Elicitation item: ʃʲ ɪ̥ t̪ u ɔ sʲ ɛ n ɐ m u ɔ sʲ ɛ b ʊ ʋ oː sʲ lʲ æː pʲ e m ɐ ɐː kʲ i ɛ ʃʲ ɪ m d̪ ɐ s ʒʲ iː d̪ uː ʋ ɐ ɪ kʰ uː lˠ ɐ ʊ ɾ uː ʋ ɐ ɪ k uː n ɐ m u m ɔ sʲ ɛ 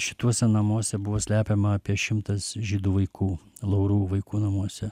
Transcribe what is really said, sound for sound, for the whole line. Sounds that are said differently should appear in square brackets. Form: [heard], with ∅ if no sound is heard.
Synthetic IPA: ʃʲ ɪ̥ t̪ u ɔ sʲ ɛ n ɐ m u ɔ sʲ ɛ b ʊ ʋ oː sʲ lʲ æː pʲ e m ɐ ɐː [pʲ] i ɛ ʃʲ ɪ m [t̪] ɐ s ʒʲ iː d̪ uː ʋ ɐ ɪ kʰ uː lˠ ɐ ʊ ɾ uː ʋ ɐ ɪ k uː n ɐ m u [∅] ɔ sʲ ɛ